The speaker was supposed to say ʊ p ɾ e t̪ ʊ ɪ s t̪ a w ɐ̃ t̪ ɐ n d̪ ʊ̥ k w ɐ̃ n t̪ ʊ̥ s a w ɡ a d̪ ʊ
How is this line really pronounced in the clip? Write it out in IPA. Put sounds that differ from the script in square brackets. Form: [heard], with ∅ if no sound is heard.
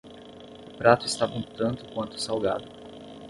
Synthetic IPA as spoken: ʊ p ɾ [a] t̪ ʊ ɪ s t̪ a [v] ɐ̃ t̪ [ɐ̃] n [t̪] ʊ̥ k w ɐ̃ n t̪ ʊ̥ s a w ɡ a d̪ ʊ